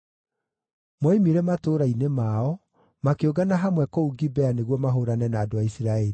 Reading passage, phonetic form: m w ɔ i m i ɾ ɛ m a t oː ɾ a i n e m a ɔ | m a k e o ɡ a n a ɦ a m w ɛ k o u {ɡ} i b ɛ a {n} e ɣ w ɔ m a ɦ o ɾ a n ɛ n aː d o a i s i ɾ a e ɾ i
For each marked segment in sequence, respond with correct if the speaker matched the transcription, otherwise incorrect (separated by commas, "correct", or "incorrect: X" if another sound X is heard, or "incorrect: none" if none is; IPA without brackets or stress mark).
correct, correct